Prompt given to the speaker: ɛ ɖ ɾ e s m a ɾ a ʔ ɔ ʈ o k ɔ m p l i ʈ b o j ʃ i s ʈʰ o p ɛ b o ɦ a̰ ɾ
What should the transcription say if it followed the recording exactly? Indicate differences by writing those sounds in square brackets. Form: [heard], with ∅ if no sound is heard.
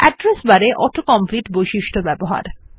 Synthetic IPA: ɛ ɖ ɾ e s [b] a ɾ [e] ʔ ɔ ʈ o k ɔ m p l i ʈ b o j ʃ i [ʃ] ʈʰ o [b] ɛ b o ɦ a̰ ɾ

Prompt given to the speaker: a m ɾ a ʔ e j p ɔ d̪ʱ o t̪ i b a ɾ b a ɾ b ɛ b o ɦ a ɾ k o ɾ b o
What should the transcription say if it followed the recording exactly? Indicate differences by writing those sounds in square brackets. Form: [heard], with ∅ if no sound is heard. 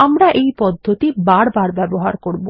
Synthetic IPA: a m ɾ a ʔ e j p ɔ [d̪ʱː] o t̪ i b a ɾ b a ɾ b ɛ b o ɦ a ɾ k o ɾ b o

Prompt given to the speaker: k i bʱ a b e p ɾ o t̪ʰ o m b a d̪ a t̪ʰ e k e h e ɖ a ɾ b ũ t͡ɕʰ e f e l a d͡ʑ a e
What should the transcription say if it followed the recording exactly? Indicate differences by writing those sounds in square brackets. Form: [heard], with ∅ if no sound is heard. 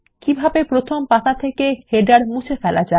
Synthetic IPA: k i bʱ a b e p ɾ o t̪ʰ o m [p] a [t̪] a t̪ʰ e k e h e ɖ a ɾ [m] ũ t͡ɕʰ e f [ɛ] l a d͡ʑ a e

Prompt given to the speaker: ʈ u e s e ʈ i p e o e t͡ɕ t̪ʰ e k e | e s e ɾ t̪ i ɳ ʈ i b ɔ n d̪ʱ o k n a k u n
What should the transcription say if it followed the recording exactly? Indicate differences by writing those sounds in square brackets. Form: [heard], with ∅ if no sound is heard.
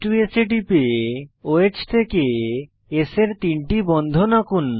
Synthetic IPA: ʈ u e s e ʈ i p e o e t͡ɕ t̪ʰ e k e | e s e ɾ t̪ i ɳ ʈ i b ɔ n d̪ʱ o [∅] n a k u n

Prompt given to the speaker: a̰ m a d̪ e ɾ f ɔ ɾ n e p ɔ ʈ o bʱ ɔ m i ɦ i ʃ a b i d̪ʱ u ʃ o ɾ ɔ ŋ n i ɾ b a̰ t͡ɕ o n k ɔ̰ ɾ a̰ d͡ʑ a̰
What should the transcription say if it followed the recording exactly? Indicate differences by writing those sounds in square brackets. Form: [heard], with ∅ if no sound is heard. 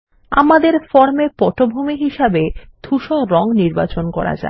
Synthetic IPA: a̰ m a d̪ e ɾ f ɔ ɾ [m] e p ɔ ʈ o bʱ [u] m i ɦ i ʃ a b [e] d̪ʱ u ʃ o ɾ ɔ ŋ n i ɾ b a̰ t͡ɕ o n k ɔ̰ ɾ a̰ d͡ʑ a̰

